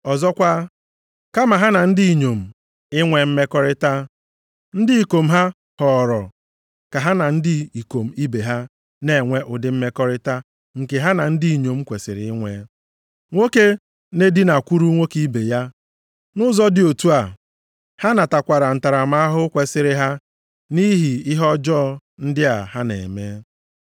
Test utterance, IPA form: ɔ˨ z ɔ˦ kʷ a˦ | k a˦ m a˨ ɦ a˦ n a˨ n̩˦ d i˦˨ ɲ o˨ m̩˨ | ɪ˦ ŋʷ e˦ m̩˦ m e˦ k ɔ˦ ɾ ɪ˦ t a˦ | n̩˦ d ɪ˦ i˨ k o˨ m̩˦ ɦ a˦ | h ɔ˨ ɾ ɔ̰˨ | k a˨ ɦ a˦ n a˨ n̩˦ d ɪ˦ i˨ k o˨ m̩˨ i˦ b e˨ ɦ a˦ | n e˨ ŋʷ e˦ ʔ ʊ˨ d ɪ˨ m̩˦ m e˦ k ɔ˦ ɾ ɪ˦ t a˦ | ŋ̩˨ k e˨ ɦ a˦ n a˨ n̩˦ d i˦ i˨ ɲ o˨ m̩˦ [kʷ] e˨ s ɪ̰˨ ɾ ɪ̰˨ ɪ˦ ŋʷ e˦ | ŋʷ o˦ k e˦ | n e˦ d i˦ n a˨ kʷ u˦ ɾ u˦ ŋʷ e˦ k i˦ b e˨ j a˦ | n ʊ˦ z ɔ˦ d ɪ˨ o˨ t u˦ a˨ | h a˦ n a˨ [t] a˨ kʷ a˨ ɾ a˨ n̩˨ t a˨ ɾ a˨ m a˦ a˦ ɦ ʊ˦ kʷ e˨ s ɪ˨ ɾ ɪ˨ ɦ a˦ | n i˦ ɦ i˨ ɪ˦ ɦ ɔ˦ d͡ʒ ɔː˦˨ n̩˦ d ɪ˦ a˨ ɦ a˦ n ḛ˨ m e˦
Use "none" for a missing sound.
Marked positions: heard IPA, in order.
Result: kʷ, t

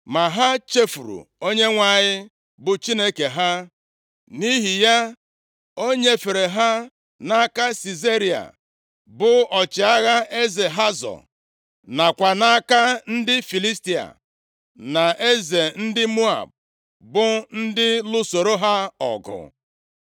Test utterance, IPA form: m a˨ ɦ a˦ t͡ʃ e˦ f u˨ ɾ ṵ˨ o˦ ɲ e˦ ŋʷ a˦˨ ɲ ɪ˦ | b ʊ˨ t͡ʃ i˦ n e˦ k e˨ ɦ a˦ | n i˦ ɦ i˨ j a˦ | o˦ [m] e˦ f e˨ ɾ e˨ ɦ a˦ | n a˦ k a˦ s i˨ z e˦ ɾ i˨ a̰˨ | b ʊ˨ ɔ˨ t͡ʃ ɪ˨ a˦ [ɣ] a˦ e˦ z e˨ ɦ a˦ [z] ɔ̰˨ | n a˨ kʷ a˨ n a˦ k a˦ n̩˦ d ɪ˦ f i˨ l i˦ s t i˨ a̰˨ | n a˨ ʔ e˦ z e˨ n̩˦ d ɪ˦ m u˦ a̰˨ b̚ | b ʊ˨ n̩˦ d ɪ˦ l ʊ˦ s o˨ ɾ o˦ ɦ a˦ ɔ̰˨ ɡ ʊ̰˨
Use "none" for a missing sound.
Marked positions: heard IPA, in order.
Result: ɲ, ɣ, z

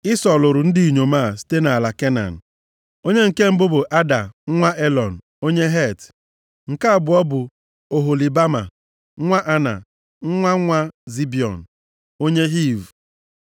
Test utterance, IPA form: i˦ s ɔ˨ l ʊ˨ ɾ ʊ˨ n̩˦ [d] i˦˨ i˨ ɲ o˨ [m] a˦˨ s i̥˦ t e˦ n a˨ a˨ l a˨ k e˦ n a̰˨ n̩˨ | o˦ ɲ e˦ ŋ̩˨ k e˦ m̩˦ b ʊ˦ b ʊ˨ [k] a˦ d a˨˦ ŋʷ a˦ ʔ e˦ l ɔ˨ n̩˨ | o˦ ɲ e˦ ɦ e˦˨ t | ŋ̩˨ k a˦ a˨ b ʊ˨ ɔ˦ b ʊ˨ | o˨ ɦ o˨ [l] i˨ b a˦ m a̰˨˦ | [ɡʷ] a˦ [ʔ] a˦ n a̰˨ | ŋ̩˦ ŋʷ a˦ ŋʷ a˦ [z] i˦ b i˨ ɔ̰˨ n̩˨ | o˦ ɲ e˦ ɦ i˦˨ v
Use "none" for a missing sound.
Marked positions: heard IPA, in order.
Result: d, m, ʔ, l, ŋʷ, ʔ, z

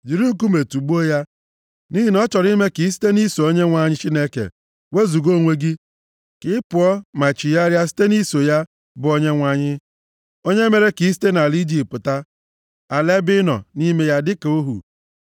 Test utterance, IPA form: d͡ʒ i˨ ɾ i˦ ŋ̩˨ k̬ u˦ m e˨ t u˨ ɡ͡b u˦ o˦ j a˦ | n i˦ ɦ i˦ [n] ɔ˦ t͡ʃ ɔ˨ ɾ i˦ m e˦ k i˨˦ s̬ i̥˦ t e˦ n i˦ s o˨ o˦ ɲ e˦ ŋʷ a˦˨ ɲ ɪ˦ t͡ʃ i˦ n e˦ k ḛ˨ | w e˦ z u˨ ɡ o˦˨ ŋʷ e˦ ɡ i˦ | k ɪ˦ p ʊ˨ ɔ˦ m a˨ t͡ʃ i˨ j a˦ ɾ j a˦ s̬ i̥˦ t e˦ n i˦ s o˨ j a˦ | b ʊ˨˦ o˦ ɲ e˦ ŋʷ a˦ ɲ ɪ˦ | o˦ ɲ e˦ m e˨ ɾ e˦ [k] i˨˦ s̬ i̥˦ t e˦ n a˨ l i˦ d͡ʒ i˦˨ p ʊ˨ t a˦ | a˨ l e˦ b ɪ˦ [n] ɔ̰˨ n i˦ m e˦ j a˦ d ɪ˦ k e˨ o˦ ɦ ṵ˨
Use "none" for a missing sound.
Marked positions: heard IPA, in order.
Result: n, k, n

